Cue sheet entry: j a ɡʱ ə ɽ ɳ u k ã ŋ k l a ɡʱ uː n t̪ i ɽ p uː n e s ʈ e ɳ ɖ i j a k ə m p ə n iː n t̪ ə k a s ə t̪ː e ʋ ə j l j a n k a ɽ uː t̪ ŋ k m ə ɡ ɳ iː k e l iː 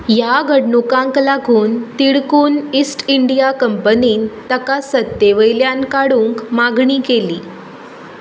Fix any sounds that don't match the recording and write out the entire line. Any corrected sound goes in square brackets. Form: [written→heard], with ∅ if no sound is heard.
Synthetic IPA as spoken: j a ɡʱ ə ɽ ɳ u k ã ŋ k l a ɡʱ uː n t̪ i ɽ [p→k] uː n [e→i] s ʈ [e→i] ɳ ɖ i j a k ə m p ə n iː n t̪ ə k a s ə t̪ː e ʋ ə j l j a n k a ɽ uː [t̪→∅] ŋ k m [ə→a] ɡ ɳ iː k e l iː